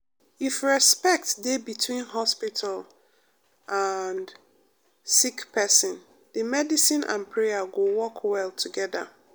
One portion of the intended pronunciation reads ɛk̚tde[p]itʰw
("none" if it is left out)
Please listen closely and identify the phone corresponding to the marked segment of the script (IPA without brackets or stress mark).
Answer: b